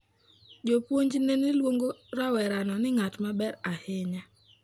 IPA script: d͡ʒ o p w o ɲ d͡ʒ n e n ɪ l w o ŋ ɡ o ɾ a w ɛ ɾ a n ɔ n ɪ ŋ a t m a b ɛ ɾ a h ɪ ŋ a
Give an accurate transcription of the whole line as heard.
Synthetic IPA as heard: d͡ʒ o p w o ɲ d͡ʒ n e n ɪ l w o ŋ ɡ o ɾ a w ɛ ɾ a n ɔ n ɪ ŋ a t m a b ɛ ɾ a h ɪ ɲ a